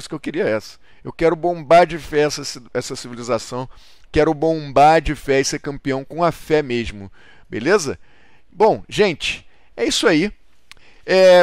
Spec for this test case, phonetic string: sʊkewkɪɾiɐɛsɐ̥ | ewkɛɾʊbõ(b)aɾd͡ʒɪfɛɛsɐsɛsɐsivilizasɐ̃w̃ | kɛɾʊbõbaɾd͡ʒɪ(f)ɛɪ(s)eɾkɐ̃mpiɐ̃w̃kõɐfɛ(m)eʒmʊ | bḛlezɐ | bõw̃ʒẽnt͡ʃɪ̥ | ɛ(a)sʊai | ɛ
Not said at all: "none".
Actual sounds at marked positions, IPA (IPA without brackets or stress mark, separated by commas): b, f, s, m, i